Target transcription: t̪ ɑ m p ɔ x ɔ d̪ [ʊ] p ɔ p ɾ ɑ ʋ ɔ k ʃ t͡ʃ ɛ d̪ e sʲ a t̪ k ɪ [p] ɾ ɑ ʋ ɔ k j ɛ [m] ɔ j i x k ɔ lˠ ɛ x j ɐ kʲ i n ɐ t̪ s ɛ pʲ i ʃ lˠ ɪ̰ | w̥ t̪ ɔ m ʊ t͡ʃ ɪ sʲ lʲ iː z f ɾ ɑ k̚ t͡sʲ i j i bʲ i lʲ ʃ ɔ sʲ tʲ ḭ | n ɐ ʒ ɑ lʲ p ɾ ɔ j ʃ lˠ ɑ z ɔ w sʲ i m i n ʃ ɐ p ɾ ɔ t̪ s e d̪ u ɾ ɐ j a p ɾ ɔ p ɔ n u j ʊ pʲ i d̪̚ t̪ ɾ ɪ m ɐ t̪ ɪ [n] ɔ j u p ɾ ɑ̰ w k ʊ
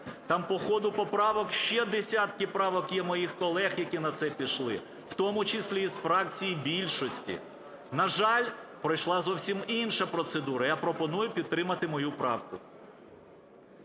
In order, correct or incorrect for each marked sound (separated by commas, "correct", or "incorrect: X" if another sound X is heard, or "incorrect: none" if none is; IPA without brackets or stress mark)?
correct, correct, correct, incorrect: m